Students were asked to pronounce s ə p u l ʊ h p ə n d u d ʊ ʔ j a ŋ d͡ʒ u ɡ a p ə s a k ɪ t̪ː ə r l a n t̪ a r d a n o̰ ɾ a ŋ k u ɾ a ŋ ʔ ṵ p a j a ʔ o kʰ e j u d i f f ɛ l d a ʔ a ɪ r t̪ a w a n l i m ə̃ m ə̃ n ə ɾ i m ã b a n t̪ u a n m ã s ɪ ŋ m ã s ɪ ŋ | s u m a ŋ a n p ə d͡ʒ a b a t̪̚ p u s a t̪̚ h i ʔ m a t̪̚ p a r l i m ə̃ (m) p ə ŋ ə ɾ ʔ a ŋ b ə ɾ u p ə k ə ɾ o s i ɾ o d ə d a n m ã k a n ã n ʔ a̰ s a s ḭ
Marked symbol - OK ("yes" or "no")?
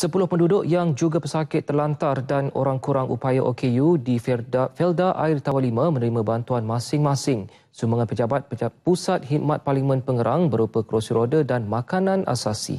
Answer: no